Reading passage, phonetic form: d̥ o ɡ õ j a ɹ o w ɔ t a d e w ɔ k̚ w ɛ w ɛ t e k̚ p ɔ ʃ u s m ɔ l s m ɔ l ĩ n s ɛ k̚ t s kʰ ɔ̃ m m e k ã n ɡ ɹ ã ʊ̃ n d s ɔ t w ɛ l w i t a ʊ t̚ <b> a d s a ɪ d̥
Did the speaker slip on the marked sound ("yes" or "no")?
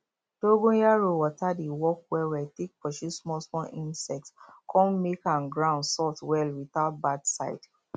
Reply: no